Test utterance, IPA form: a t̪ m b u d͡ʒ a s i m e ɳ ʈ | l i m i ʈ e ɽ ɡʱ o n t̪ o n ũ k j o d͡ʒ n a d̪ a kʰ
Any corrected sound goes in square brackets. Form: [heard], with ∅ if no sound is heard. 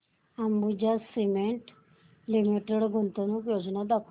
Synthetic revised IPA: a [∅] m b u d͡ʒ a s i m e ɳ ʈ | l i m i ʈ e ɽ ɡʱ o n t̪ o n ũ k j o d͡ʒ n a d̪ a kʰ